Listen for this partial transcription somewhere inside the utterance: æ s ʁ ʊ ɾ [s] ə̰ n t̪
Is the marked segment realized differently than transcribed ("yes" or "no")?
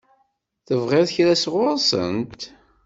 no